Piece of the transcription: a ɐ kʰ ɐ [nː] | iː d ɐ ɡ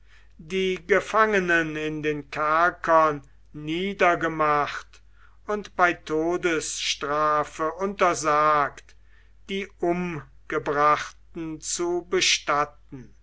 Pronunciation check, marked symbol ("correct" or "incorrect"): correct